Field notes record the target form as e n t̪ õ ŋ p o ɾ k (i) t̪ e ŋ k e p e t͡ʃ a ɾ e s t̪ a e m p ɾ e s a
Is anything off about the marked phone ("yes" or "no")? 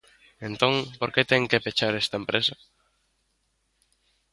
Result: yes